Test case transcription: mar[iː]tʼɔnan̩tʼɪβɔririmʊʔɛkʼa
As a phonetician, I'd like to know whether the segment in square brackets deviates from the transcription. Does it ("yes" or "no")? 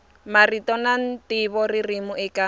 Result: yes